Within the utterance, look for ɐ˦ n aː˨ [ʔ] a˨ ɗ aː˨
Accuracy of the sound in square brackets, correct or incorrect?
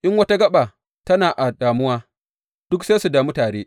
correct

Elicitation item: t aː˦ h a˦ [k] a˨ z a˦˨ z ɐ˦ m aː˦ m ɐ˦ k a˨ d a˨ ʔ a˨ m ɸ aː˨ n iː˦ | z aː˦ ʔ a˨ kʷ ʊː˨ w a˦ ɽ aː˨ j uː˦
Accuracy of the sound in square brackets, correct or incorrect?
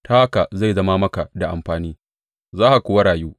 correct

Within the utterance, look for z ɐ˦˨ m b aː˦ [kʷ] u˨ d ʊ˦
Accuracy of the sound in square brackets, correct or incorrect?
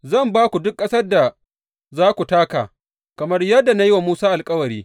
correct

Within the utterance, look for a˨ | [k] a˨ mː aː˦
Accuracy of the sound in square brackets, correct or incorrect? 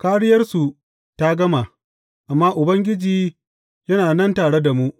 incorrect: ʔ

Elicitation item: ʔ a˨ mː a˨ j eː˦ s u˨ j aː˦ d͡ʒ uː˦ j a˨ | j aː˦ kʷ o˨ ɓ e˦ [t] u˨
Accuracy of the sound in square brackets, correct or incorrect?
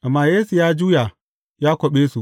incorrect: s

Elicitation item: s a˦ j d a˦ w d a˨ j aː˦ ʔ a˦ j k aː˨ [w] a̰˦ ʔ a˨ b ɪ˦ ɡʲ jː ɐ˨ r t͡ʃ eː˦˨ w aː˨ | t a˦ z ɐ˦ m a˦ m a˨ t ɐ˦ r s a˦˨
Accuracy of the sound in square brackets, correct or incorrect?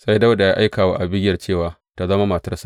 correct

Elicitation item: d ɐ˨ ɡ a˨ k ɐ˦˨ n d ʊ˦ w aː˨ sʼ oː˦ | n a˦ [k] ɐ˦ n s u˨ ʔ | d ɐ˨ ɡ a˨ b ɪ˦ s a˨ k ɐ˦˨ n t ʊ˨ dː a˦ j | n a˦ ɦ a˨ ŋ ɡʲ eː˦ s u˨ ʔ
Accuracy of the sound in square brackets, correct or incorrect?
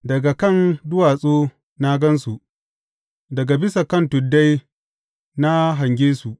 incorrect: ɡ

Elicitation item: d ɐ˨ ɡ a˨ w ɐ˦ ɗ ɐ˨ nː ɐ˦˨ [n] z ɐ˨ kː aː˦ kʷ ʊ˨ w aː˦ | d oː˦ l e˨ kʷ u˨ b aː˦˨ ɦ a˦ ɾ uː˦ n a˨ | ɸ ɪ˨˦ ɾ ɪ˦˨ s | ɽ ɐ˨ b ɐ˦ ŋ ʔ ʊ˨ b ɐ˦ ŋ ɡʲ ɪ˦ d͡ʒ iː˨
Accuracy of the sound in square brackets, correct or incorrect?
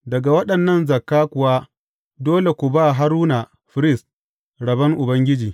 correct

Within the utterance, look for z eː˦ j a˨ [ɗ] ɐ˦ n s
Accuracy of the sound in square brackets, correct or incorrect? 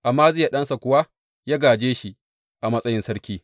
correct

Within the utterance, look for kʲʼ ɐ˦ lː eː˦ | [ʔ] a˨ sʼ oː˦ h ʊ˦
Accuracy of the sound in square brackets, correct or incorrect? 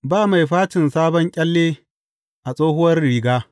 correct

